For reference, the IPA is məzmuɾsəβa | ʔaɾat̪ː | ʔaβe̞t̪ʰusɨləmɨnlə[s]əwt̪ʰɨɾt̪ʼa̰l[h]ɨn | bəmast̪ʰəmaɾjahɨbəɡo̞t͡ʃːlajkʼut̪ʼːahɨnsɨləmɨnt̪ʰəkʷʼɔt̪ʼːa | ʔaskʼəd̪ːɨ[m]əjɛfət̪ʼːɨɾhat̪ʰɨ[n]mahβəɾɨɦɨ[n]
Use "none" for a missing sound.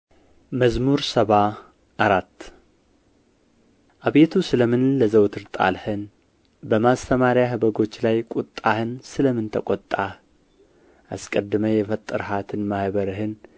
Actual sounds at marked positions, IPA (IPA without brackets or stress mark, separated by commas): z, h, m, n, n